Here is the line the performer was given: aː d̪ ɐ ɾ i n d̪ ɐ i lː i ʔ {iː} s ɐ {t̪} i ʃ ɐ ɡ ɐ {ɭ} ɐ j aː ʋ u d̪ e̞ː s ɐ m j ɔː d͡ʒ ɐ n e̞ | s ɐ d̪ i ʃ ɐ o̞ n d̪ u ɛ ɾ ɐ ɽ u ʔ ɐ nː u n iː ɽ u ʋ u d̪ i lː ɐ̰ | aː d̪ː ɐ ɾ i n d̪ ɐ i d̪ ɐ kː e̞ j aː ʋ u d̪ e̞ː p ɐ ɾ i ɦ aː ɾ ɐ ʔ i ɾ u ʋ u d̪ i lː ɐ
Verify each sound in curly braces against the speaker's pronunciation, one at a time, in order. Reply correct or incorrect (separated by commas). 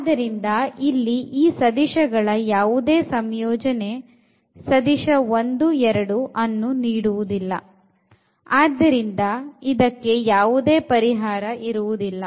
correct, incorrect, correct